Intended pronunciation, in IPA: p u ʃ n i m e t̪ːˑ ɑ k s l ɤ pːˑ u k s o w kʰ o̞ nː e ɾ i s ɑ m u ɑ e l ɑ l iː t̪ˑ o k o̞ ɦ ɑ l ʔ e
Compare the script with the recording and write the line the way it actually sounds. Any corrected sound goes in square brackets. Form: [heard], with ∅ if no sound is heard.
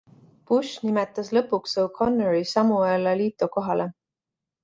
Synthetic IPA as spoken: p u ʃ n i m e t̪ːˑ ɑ [∅] s l ɤ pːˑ u k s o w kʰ o̞ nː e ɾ i s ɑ m u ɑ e l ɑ l iː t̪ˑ o k o̞ ɦ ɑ l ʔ e

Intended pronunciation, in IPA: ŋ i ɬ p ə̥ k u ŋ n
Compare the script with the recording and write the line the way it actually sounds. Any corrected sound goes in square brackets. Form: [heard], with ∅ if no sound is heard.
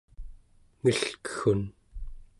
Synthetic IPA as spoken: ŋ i ɬ [k] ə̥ [x] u [∅] n

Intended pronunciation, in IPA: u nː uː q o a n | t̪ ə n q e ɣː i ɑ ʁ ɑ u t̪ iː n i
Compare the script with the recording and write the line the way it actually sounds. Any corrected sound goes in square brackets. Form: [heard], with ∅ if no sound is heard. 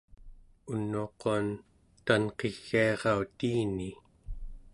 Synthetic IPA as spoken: u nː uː q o a n | t̪ [a] n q e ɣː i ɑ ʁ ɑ u t̪ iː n i

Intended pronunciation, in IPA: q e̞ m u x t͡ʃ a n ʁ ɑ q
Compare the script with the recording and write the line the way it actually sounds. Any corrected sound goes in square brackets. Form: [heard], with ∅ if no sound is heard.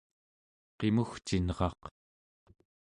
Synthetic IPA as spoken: q e̞ m u x t͡ʃ [i] n ʁ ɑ q

